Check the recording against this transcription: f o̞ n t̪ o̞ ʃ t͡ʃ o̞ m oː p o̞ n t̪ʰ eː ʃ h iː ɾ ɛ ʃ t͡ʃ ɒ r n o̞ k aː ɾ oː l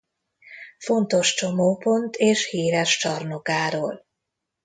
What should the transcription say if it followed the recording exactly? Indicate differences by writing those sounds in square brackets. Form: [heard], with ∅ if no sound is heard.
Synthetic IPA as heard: f o̞ n t̪ o̞ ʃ t͡ʃ o̞ m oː p o̞ n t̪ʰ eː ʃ h iː ɾ ɛ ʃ t͡ʃ ɒ r n o̞ k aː ɾ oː l